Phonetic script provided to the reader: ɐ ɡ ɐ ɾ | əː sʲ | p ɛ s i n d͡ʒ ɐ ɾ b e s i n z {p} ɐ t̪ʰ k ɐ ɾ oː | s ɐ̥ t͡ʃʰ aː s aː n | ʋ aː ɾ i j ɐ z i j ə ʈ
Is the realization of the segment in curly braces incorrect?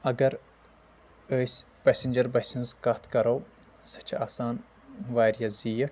yes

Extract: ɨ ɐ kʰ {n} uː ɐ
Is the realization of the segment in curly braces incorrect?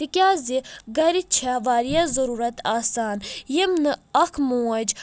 yes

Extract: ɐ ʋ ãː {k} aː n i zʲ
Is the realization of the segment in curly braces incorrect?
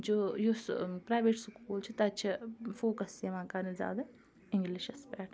no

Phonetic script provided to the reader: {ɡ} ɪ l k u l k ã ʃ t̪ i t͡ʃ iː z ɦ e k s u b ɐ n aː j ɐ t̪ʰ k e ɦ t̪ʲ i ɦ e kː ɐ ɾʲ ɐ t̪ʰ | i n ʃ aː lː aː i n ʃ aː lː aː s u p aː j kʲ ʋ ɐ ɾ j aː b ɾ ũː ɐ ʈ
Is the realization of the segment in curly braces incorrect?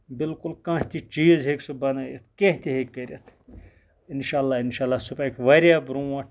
yes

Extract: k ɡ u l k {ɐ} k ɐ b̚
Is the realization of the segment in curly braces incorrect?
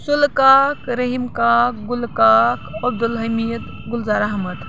yes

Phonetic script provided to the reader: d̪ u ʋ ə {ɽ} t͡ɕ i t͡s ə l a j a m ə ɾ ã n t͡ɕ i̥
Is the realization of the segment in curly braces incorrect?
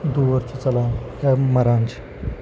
yes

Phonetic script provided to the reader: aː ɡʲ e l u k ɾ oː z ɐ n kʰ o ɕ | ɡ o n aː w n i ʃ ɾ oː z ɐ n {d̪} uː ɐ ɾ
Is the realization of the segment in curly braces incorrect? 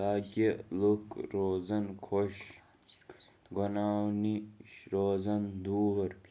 no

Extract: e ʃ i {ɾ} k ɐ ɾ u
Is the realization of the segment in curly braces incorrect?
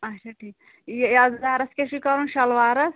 yes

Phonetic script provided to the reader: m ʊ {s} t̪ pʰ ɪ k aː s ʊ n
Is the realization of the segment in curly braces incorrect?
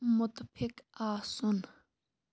yes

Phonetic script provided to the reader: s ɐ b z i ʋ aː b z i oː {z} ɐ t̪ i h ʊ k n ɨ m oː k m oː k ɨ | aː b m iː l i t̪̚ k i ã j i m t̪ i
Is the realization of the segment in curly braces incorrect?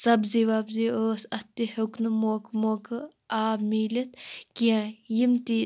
yes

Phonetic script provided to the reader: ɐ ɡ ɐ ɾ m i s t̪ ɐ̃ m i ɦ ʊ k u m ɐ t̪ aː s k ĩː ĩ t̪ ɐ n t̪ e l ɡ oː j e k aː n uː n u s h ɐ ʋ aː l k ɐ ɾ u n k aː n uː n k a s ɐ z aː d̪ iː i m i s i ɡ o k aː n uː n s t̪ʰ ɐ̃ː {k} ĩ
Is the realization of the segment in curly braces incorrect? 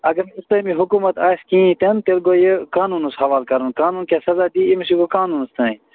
yes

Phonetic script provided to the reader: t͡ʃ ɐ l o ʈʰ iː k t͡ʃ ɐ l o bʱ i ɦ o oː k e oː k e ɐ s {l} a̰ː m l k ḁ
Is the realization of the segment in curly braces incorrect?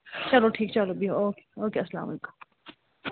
no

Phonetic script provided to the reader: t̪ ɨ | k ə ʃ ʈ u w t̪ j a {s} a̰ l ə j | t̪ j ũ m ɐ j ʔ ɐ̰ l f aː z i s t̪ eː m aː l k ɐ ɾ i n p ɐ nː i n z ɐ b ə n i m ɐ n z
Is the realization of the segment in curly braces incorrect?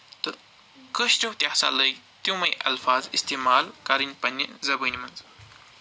no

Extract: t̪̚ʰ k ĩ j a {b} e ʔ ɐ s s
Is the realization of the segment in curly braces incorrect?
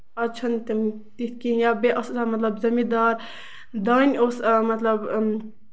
no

